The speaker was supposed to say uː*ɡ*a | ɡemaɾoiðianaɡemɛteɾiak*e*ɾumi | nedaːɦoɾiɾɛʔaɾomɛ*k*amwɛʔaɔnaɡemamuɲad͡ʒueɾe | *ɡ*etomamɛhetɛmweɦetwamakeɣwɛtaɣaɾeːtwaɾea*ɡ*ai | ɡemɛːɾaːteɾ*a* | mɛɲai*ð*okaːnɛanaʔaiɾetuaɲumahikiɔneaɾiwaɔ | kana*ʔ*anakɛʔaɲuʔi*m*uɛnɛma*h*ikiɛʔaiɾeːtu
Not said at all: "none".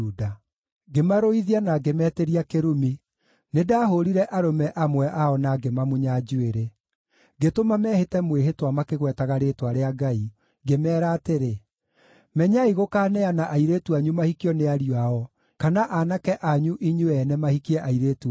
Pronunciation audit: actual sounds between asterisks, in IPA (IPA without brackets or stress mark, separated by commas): d, e, ʔ, ɡ, ɡ, e, ɣ, ʔ, ɲ, h